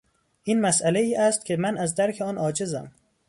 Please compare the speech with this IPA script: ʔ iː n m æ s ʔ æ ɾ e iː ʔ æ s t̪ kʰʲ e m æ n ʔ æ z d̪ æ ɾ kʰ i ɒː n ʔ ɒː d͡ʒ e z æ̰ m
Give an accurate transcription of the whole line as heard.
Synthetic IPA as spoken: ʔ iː n m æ s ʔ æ l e iː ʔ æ s t̪ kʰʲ e m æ n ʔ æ z d̪ æ ɾ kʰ e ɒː n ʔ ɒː d͡ʒ e z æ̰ m